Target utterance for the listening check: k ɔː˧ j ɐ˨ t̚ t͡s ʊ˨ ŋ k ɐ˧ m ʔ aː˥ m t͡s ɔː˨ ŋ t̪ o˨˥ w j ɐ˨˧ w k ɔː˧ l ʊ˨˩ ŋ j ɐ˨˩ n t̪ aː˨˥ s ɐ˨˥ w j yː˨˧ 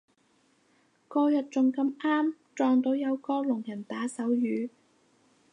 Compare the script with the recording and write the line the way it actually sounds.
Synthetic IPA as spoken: k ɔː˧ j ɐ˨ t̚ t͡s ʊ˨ ŋ k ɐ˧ m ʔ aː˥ m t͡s ɔː˨ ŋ t̪ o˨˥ w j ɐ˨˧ w k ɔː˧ l ʊ˨˩ ŋ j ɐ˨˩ n t̪ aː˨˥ s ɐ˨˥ w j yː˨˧